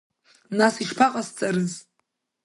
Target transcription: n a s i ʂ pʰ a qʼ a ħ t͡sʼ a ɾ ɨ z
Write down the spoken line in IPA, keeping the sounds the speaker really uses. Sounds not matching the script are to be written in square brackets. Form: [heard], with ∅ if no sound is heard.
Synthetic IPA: n a s i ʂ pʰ a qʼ a [s] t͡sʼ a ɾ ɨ z